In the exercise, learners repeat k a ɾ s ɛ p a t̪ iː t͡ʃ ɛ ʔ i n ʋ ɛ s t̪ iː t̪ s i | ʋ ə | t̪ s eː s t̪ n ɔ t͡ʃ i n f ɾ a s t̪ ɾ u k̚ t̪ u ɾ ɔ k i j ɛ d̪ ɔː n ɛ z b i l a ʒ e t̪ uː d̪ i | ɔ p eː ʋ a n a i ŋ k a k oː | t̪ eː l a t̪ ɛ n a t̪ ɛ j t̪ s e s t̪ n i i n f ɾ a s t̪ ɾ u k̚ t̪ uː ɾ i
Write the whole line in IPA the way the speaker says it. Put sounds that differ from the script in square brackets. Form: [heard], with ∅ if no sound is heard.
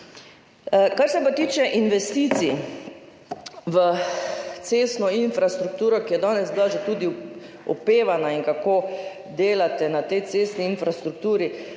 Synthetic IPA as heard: k a ɾ s ɛ p a t̪ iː t͡ʃ ɛ ʔ i n ʋ ɛ s t̪ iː t̪ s i | ʋ ə | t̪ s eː s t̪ n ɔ [∅] i n f ɾ a s t̪ ɾ u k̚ t̪ [uː] ɾ ɔ k i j ɛ d̪ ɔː n ɛ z b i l a ʒ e t̪ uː d̪ i | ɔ p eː ʋ a n a i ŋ k a k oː | [d̪] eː l a t̪ ɛ n a t̪ ɛ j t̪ s e s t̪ n i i n f ɾ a s t̪ ɾ u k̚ t̪ uː ɾ i